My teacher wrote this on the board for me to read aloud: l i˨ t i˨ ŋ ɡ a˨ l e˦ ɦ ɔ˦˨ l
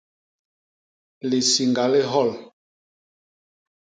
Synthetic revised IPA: l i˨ s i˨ ŋ ɡ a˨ l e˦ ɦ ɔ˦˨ l